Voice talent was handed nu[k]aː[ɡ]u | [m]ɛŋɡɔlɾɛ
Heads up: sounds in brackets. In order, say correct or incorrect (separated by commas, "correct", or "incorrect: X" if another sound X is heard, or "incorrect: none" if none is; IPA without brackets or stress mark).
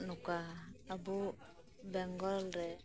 correct, incorrect: b, incorrect: b